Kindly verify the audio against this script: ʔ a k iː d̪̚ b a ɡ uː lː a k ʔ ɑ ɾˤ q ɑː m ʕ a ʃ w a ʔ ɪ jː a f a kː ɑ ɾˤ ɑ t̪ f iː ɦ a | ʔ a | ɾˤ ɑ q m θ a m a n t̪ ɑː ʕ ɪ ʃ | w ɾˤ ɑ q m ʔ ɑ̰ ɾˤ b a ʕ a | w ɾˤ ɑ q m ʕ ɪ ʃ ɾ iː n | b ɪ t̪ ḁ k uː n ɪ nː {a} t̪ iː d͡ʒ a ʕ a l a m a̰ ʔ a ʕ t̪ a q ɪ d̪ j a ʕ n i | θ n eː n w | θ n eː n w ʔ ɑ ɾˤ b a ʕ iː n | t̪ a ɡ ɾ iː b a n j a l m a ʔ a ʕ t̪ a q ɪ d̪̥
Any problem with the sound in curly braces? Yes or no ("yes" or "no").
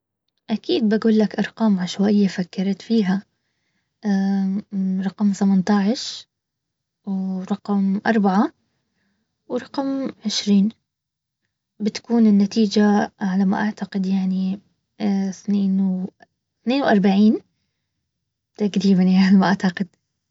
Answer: no